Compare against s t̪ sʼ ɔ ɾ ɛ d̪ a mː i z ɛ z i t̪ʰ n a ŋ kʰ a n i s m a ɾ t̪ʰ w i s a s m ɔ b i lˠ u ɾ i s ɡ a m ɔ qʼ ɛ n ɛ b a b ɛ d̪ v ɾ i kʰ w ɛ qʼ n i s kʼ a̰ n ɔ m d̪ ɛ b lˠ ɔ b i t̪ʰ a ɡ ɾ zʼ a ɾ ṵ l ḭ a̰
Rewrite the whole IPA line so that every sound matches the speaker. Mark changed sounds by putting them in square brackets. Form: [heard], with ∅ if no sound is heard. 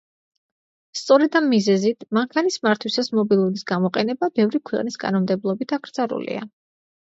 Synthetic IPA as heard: s t̪ sʼ ɔ ɾ ɛ d̪ a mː i z ɛ z i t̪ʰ [m] a ŋ kʰ a n i s m a ɾ t̪ʰ w i s a s m ɔ b i lˠ u ɾ i s ɡ a m ɔ qʼ ɛ n ɛ b a b ɛ [∅] v ɾ i kʰ w ɛ qʼ n i s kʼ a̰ n ɔ m d̪ ɛ b lˠ ɔ b i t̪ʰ a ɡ ɾ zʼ a ɾ ṵ l ḭ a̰